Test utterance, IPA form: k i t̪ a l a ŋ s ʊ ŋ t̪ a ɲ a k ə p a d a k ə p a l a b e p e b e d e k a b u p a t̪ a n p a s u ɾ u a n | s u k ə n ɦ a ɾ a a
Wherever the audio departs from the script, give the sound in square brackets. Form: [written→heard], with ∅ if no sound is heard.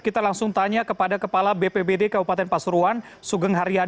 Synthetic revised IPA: k i t̪ a l a ŋ s ʊ ŋ t̪ a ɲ a k ə p a d a k ə p a l a b e p e b e d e k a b u p a t̪ [a→ɛ] n p a s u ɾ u a n | s u [k→ɡ] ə [n→ŋ] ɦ a ɾ [a→i] a